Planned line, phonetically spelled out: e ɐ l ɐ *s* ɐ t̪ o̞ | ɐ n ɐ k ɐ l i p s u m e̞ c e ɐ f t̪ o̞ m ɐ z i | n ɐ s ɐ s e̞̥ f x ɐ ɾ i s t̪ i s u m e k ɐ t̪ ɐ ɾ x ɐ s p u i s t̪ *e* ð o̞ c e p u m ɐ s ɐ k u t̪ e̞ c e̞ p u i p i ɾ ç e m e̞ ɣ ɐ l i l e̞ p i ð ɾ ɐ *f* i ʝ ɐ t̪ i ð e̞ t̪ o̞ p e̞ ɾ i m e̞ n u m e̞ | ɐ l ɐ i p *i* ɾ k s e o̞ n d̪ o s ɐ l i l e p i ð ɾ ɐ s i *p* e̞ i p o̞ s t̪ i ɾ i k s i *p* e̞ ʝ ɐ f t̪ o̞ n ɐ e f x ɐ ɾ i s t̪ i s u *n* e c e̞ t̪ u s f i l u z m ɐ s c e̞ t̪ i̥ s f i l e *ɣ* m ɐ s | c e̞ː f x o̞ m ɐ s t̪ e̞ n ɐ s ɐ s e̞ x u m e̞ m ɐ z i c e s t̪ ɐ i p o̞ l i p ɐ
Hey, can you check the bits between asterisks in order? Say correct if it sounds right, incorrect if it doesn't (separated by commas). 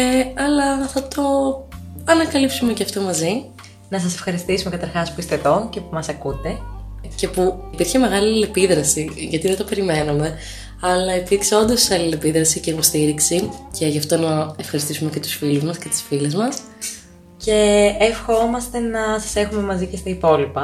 incorrect, correct, incorrect, correct, incorrect, incorrect, incorrect, incorrect